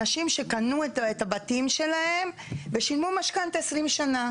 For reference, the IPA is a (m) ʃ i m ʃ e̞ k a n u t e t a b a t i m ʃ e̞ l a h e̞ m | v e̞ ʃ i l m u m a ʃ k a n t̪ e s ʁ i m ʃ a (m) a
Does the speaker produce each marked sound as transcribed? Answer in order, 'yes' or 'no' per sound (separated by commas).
no, no